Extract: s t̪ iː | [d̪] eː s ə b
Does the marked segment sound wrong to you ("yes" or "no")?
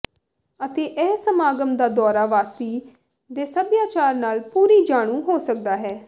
no